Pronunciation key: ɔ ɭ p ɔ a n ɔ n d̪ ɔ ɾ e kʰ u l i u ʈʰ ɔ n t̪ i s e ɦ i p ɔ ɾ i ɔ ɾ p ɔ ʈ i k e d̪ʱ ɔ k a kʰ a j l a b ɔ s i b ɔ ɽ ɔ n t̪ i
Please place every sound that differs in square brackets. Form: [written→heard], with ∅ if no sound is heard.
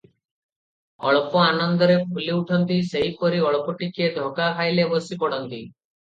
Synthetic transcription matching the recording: ɔ ɭ p ɔ a n ɔ n d̪ ɔ ɾ e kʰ u l i u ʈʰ ɔ n t̪ i s e ɦ i p ɔ ɾ i ɔ [ɾ→ɭ] p ɔ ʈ i k e d̪ʱ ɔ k a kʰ a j l [a→e] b ɔ s i [b→p] ɔ ɽ ɔ n t̪ i